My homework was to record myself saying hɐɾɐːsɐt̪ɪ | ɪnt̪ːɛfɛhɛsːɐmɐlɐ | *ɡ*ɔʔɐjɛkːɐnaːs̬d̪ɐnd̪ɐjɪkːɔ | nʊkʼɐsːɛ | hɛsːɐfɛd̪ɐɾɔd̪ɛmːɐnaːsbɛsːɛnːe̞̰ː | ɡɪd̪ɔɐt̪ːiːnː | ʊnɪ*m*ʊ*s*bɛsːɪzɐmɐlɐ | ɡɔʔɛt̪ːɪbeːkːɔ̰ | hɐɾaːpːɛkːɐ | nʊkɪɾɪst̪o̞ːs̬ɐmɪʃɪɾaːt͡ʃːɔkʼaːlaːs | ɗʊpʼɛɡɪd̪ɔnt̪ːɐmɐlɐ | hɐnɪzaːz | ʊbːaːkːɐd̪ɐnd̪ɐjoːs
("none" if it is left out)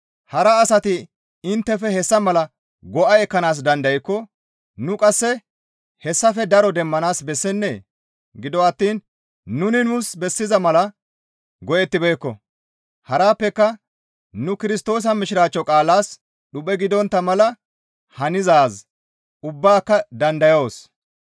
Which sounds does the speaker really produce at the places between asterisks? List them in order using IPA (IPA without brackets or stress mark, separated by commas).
ɡ, n, s